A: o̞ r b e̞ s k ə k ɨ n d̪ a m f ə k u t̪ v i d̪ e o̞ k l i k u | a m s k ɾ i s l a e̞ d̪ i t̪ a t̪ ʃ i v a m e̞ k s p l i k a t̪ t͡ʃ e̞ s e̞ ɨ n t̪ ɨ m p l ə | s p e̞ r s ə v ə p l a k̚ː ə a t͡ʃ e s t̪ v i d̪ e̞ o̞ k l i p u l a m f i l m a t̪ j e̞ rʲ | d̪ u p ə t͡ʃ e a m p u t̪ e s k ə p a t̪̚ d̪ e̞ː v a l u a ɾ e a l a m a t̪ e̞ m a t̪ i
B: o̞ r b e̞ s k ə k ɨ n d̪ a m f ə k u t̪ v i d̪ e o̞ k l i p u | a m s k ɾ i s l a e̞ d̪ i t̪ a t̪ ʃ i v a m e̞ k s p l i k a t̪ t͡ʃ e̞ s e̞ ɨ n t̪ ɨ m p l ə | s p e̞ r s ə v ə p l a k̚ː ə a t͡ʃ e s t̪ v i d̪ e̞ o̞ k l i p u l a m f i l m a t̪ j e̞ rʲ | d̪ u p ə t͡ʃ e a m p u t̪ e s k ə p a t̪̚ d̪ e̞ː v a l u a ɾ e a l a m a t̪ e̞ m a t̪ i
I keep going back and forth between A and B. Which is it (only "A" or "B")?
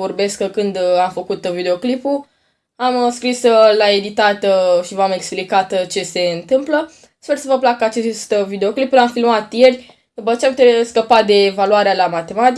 B